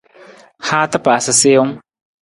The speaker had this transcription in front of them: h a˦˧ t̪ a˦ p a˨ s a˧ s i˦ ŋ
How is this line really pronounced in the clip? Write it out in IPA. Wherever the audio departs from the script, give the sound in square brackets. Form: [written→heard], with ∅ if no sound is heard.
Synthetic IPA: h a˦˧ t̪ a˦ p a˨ s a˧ s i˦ ŋ